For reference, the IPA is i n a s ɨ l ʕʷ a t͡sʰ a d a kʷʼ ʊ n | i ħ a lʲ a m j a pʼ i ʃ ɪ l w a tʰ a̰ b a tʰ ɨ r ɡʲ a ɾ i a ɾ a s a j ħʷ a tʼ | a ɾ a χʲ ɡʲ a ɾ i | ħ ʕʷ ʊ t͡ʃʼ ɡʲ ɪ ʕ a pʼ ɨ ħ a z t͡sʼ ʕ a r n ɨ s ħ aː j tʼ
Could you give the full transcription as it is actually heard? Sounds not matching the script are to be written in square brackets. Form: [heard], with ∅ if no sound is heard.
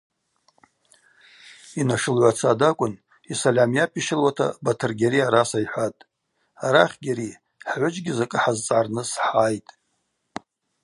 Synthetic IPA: i n a [ʂ] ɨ l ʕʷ a t͡sʰ a d a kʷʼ ʊ n | i [s] a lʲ a m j a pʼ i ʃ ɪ l w a tʰ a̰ b a tʰ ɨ r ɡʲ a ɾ i a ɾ a s a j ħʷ a tʼ | a ɾ a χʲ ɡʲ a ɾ i | ħ ʕʷ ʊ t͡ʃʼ ɡʲ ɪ [z] a [kʼ] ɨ ħ a z t͡sʼ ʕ a r n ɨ s ħ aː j tʼ